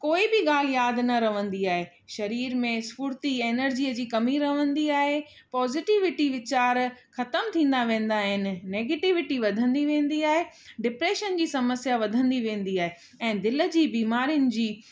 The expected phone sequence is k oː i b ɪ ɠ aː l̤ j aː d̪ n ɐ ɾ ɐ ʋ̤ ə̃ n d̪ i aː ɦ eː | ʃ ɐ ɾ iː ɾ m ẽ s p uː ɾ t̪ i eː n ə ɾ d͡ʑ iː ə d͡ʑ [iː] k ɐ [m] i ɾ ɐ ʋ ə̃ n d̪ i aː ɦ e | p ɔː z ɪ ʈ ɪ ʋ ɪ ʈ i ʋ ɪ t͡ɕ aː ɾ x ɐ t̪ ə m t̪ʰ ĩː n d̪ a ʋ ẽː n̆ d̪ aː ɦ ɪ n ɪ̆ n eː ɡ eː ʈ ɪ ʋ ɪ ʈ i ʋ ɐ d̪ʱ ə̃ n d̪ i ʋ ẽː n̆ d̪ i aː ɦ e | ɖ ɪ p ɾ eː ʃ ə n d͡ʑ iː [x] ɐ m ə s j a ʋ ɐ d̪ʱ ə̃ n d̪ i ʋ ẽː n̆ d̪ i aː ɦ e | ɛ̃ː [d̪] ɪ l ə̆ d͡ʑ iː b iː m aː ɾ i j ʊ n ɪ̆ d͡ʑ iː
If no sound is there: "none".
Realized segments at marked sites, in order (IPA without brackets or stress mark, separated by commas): iː, m, s, d̪